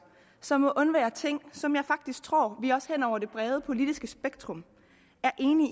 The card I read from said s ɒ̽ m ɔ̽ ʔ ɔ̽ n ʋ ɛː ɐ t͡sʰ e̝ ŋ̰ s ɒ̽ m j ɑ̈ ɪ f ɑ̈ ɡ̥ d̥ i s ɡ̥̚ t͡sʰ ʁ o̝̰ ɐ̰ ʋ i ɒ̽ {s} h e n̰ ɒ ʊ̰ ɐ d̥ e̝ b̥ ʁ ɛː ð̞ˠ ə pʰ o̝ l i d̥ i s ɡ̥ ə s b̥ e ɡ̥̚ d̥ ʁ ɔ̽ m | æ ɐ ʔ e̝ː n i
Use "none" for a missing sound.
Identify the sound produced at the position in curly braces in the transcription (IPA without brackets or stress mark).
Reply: s